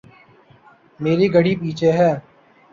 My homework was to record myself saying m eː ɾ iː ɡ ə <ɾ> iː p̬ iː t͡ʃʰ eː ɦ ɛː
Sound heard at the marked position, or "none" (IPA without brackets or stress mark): ɽ